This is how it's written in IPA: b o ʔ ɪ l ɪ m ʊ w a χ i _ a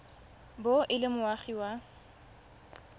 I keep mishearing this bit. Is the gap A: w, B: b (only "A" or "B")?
A